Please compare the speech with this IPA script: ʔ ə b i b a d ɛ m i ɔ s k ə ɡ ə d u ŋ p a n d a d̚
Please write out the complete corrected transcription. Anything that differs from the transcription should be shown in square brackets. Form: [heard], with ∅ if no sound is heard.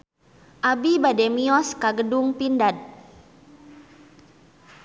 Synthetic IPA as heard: ʔ [a] b i b a d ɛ m i ɔ s k [a] ɡ ə d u ŋ p [i] n d a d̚